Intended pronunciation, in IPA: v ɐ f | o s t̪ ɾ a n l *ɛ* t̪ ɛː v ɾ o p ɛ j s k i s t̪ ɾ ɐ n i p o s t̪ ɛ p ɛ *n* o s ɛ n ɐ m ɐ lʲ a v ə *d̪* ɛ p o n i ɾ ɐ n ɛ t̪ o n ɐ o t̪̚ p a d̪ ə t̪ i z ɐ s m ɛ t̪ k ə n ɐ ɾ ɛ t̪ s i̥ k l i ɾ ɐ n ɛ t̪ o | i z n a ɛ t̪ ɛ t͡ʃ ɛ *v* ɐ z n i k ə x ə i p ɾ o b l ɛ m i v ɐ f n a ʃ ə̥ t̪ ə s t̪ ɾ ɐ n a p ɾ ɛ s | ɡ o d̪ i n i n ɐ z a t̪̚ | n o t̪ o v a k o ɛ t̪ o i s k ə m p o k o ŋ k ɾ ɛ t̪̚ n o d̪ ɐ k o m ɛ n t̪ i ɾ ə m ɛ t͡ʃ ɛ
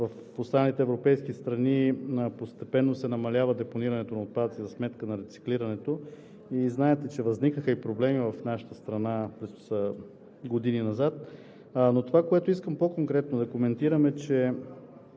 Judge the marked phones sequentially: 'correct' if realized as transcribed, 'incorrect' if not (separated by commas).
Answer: incorrect, incorrect, correct, correct